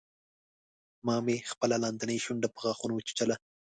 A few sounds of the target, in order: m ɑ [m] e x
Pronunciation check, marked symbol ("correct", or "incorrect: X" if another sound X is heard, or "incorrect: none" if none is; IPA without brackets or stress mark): correct